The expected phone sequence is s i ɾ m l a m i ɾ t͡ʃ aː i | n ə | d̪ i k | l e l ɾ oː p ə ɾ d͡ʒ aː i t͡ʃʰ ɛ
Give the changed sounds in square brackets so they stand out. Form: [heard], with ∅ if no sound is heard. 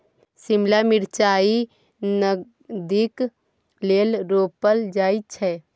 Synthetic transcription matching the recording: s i [∅] m l a m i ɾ t͡ʃ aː i | n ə | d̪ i k | l e l ɾ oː p ə [l] d͡ʒ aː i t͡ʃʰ ɛ